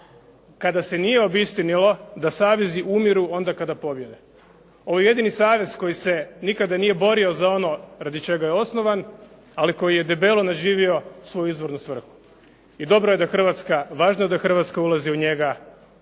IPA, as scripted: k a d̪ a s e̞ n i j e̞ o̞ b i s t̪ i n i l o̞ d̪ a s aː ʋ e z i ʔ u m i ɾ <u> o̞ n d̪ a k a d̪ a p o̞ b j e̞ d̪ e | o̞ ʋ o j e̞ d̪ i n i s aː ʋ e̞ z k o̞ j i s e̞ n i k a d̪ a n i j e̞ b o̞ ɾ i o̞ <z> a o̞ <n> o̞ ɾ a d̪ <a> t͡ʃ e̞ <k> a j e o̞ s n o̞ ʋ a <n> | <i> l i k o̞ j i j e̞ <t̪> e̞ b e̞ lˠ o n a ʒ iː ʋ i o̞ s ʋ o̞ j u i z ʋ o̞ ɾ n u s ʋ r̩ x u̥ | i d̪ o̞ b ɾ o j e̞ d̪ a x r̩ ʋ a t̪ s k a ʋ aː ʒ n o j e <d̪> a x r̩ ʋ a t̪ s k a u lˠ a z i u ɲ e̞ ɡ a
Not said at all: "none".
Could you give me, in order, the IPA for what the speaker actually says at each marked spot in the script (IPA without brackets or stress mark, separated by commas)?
u, z, n, i, ɡ, n, a, d̪, d̪